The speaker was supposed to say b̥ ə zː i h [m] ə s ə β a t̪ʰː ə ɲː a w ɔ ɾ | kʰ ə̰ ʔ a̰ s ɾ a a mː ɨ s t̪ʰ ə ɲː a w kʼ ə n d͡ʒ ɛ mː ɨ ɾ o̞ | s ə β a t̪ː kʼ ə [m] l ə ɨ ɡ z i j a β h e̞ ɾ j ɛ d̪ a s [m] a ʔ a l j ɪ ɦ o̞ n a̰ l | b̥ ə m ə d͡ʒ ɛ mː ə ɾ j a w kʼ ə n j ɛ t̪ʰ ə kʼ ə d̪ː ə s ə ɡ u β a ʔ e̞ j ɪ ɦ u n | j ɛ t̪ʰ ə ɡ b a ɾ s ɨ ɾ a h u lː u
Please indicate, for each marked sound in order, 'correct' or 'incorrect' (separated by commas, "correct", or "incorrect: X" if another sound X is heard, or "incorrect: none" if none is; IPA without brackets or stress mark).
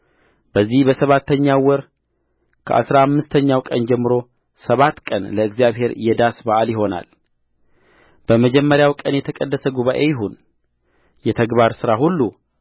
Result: incorrect: b, incorrect: n, incorrect: b